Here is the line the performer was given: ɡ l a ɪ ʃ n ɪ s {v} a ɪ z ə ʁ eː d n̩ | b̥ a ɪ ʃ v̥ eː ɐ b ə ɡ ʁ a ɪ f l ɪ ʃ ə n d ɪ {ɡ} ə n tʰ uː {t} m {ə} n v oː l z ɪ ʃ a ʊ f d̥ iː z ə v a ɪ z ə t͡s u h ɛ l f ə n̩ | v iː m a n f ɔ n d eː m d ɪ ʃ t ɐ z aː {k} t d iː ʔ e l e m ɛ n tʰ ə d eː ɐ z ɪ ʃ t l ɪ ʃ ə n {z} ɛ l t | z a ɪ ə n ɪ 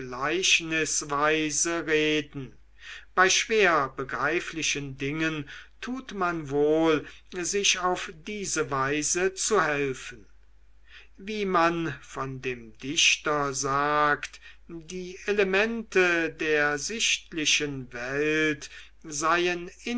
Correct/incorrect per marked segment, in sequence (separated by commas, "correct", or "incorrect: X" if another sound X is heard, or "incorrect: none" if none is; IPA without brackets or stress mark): correct, incorrect: ŋ, correct, incorrect: a, correct, incorrect: v